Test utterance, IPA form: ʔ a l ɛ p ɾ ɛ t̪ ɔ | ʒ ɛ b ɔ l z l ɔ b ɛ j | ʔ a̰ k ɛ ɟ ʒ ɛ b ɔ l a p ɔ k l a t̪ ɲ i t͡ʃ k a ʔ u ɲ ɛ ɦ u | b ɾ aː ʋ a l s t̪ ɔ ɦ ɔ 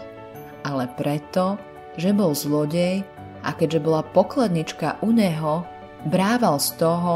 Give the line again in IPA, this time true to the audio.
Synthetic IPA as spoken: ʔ a l ɛ p ɾ ɛ t̪ ɔ | ʒ ɛ b ɔ l z l ɔ ɟ ɛ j | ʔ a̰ k ɛ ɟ ʒ ɛ b ɔ l a p ɔ k l a d̪ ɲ i t͡ʃ k a ʔ u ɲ ɛ ɦ ɔ | b ɾ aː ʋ a l s t̪ ɔ ɦ ɔ